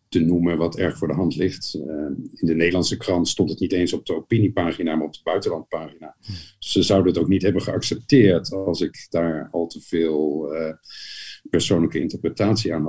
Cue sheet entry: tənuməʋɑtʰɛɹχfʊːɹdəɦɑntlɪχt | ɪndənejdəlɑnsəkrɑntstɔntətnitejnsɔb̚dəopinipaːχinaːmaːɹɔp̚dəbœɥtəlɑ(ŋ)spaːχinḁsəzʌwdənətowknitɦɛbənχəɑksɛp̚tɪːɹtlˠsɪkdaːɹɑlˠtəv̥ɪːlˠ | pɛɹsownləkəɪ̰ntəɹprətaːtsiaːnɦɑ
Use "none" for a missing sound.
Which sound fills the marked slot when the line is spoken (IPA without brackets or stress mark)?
n